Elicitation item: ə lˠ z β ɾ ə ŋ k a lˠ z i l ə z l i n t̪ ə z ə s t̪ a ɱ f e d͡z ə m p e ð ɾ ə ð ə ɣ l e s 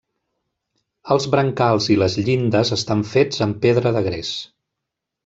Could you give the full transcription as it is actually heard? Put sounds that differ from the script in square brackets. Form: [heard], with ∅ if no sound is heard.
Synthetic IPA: ə lˠ z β ɾ ə ŋ k a lˠ z i l ə z [ʎ] i n [d̪] ə z ə s t̪ a ɱ f e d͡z ə m p e ð ɾ ə ð ə ɣ [ɾ] e s